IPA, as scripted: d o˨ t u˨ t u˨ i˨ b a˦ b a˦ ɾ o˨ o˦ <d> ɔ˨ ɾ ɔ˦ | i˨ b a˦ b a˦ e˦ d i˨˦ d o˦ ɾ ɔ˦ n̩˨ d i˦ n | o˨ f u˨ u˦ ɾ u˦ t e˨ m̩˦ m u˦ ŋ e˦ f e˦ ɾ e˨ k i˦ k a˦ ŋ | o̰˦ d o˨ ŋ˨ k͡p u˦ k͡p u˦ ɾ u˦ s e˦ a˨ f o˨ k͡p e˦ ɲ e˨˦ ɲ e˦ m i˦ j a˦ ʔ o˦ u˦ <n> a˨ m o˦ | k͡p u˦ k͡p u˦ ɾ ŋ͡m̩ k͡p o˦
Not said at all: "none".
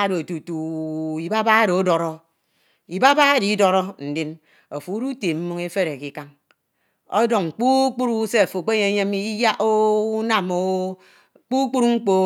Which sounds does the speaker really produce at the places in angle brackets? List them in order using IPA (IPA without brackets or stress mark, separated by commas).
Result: d, n